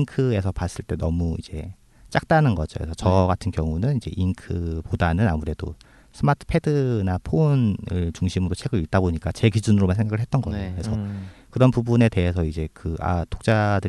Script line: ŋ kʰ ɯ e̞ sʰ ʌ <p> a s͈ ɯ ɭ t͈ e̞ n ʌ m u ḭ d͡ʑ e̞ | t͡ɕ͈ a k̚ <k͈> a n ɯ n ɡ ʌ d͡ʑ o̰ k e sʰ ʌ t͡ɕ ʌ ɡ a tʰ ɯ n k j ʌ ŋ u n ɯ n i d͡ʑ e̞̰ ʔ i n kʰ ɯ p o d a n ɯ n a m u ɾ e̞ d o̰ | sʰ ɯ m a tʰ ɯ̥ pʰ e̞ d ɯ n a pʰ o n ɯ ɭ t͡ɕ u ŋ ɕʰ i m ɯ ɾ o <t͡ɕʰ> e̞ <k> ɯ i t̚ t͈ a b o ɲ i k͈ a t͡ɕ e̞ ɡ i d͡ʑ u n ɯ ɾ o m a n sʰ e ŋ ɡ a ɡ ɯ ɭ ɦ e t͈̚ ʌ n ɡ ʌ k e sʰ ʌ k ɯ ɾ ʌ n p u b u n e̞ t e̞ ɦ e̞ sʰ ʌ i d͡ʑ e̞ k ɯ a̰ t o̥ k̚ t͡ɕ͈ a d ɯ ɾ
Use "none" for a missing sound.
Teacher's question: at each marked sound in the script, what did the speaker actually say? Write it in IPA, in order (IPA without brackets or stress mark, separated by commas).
p, t͈, t͡ɕʰ, ɡ